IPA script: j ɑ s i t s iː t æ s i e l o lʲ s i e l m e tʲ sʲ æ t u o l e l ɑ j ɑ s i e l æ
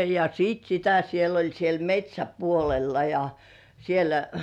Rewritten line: j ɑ s iː t s i t æ s i e l o lʲ s i e l m e tʲ sʲ æ p u o l e lː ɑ j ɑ s i e l æ